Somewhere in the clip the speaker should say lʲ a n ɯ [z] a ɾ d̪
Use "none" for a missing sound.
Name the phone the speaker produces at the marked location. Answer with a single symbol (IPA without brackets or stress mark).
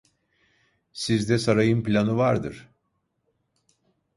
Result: v